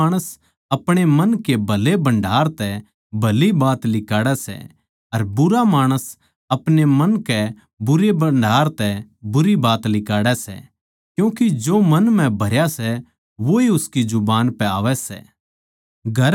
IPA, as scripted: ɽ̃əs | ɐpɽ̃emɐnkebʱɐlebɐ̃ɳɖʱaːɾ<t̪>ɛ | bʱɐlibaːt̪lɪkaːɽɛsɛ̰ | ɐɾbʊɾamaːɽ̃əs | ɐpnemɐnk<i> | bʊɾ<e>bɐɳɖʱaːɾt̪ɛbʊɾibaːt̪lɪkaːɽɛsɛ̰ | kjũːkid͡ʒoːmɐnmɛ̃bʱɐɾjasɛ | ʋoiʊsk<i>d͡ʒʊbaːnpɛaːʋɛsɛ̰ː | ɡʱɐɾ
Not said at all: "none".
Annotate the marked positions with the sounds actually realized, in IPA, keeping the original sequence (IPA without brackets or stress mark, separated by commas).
t̪, ɛ, e, i